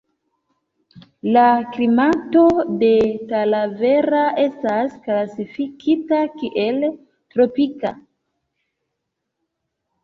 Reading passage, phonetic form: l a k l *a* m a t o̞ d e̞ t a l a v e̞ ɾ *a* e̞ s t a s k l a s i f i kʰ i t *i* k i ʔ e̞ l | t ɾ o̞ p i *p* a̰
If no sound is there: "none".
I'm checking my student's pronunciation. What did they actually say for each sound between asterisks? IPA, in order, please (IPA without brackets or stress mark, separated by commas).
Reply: i, a, a, k